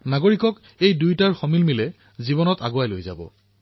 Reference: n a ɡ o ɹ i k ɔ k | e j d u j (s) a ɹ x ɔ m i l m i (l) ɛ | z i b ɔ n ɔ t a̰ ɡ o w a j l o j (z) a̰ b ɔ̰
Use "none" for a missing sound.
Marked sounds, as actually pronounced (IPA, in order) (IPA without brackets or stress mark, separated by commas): t, l, z